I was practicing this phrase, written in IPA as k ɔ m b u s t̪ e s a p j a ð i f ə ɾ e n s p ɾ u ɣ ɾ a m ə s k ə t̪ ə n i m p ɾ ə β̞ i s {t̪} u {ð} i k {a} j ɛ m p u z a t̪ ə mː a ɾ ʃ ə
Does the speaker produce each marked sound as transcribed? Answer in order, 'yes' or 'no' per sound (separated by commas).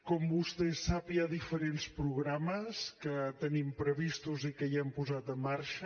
yes, no, no